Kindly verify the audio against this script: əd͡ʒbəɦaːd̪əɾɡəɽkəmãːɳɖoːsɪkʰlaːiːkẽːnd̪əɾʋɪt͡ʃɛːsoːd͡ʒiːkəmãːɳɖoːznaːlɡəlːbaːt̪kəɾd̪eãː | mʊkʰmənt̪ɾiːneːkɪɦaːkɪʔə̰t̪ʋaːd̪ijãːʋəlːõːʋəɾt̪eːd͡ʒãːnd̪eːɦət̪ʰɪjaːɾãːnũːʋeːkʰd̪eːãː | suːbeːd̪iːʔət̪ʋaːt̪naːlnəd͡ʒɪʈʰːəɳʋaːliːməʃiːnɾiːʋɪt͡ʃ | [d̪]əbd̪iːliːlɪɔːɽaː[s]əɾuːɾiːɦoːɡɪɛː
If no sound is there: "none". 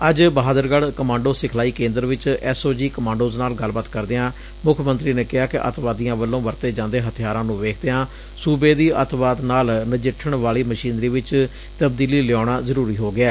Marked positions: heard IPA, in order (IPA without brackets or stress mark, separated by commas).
t̪, z